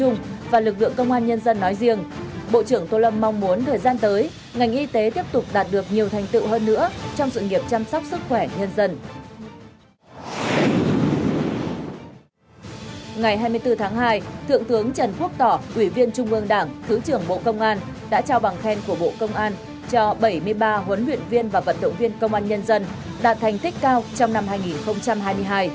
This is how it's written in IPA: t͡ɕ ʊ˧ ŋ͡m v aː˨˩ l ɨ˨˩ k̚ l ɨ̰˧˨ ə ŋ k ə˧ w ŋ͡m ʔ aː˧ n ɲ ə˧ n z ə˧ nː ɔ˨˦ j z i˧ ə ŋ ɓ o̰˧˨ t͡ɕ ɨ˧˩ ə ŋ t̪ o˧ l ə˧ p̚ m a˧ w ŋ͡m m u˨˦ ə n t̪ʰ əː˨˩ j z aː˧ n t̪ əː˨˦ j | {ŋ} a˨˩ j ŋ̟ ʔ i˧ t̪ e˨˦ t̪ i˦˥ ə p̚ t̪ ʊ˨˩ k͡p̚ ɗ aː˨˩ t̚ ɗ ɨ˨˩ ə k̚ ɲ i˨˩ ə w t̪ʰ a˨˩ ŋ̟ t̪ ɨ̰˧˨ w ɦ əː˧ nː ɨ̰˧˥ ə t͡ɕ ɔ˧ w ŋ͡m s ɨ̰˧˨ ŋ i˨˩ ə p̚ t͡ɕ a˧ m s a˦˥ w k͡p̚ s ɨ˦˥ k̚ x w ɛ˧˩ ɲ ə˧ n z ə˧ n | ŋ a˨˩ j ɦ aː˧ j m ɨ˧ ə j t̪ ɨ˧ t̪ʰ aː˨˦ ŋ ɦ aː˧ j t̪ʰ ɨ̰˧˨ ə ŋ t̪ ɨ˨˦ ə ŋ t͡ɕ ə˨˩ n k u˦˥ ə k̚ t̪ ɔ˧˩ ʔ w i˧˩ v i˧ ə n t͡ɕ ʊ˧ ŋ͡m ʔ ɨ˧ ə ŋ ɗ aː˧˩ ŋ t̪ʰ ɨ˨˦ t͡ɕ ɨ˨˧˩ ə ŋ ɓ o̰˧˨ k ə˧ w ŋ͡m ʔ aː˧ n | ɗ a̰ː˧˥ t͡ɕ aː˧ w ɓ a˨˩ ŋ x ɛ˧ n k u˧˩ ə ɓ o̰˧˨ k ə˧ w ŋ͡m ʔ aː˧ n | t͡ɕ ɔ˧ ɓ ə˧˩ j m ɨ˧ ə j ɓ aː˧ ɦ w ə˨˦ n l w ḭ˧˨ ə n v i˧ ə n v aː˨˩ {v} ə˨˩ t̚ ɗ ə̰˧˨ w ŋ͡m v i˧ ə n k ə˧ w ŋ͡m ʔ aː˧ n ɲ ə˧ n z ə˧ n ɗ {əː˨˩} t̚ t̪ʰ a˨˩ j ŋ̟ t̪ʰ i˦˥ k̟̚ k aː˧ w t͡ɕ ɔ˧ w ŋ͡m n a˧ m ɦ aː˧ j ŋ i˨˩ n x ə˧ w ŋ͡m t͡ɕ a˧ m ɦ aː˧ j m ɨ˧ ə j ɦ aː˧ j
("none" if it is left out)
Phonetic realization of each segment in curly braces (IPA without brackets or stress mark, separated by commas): ŋ, v, aː˨˩